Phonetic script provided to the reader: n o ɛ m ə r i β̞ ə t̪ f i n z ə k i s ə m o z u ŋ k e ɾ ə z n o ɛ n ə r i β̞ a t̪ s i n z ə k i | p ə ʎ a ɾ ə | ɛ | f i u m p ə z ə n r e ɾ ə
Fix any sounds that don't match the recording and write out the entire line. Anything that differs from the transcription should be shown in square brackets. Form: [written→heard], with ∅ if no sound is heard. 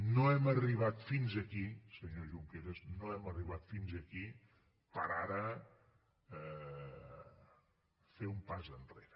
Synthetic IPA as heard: n o ɛ m ə r i β̞ [ə→a] t̪ f i n z ə k i s ə [m→ɲ] o [z→ʒ] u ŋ k e ɾ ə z n o ɛ [n→m] ə r i β̞ a t̪ [s→f] i n z ə k i | p ə [ʎ→ɾ] a ɾ ə | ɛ | f [i→e] u m p [ə→a] z ə n r e ɾ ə